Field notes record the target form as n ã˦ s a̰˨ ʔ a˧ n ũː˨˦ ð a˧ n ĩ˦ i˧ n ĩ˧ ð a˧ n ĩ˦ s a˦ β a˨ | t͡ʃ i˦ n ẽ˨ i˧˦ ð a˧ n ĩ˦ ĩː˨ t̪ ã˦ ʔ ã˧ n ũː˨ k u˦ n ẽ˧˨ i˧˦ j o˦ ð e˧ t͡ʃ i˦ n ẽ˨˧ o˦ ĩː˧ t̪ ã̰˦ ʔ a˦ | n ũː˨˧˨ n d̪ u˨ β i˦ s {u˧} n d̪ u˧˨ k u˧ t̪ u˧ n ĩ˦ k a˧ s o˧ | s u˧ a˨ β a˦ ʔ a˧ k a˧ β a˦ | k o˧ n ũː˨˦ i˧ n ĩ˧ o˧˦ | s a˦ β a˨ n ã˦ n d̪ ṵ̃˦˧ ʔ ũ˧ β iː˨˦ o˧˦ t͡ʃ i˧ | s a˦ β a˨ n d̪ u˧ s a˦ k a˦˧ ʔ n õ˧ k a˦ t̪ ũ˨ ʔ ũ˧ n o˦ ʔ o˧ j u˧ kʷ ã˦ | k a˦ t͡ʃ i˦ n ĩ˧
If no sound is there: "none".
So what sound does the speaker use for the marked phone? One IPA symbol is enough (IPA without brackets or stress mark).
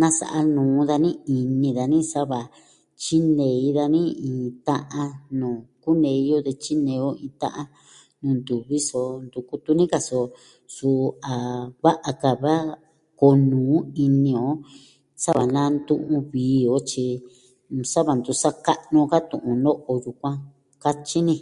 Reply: o˧